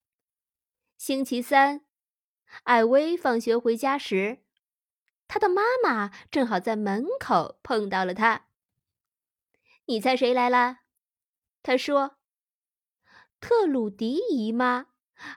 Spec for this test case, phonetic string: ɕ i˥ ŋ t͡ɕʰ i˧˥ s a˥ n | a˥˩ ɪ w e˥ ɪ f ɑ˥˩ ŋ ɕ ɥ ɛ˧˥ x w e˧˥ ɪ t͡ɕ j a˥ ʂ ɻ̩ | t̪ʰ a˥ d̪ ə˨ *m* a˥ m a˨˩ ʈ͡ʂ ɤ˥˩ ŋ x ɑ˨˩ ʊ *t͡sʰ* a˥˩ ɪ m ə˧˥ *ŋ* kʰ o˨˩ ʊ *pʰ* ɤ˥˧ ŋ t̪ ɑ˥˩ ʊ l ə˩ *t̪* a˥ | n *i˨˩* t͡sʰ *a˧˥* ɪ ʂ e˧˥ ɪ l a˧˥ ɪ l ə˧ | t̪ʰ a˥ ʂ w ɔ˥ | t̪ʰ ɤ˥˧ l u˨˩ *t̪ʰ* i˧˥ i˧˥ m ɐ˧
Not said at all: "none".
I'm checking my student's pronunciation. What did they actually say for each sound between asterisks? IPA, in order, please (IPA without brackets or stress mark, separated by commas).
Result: m, t͡s, n, pʰ, t̪ʰ, i˨˩, a˥˩, t̪